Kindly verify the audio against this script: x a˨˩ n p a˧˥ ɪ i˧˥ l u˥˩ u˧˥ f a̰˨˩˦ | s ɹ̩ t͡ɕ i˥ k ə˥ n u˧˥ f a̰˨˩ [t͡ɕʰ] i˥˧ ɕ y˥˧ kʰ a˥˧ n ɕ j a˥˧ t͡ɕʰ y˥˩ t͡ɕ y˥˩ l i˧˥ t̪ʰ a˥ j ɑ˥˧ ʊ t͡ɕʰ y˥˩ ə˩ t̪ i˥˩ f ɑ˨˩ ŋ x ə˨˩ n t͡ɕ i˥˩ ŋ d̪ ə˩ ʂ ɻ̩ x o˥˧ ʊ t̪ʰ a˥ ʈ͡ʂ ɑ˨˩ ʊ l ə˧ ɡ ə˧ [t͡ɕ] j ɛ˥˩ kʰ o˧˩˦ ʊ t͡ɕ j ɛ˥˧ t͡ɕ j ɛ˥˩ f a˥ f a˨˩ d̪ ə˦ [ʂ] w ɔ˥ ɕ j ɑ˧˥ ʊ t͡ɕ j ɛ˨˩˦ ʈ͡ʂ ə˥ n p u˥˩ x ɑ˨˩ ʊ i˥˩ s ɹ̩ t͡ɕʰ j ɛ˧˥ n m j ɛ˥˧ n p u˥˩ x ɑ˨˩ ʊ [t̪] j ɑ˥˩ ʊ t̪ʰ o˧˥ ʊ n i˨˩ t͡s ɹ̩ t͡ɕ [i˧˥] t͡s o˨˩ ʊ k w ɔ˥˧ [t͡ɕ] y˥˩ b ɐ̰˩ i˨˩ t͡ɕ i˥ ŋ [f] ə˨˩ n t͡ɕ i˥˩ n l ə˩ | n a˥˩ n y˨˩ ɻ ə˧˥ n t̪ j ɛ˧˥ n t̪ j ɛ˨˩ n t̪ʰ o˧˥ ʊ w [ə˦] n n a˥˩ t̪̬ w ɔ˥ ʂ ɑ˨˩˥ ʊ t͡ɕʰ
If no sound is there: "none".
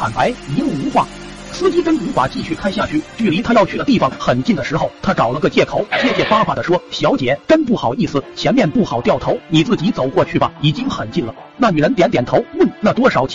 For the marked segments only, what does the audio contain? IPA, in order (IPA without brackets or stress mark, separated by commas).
t͡ɕ, t͡ɕ, ʂ, t̪, i˧˥, t͡ɕʰ, x, ə˥˩